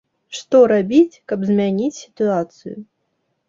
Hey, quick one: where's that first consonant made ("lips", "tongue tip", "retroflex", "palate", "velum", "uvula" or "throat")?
retroflex